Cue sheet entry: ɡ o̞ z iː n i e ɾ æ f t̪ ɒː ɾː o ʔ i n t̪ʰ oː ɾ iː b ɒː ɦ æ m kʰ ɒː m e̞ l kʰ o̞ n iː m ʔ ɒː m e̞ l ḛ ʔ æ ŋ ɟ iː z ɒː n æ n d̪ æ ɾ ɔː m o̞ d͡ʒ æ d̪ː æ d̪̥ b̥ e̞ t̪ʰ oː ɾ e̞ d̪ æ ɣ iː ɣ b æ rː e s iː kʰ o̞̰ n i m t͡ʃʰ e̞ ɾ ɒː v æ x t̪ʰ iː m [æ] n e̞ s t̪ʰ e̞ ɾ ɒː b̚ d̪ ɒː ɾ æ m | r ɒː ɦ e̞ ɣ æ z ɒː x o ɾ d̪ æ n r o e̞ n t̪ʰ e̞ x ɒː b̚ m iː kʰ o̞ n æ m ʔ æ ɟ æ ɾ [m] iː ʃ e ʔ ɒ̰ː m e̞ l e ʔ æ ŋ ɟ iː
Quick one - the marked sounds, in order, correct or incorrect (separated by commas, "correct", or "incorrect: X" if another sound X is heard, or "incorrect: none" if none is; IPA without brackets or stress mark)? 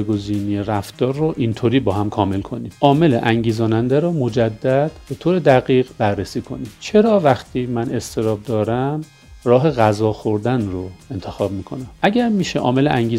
correct, correct